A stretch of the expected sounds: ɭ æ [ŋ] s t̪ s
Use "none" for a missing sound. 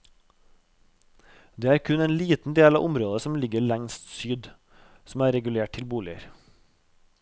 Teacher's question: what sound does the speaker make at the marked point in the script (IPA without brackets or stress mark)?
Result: ŋ